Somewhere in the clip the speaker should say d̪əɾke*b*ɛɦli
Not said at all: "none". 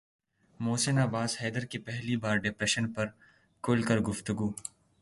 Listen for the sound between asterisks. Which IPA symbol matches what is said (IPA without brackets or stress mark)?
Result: p